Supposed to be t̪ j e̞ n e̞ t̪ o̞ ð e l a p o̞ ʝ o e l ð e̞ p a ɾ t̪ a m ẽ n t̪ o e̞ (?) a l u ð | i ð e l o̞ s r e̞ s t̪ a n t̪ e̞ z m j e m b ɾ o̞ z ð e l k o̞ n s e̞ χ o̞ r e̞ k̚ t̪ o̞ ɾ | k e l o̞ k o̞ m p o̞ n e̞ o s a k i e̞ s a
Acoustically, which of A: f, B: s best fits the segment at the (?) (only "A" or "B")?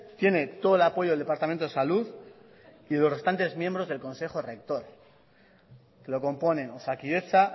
B